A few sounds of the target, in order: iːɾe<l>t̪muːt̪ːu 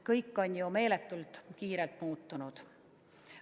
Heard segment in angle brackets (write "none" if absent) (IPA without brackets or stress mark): l